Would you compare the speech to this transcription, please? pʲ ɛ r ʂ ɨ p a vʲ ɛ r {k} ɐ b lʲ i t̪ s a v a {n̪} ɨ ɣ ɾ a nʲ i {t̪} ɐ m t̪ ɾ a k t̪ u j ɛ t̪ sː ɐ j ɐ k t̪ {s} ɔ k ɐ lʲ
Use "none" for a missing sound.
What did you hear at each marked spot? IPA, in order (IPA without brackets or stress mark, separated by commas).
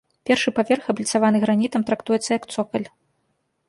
x, n̪, t̪, s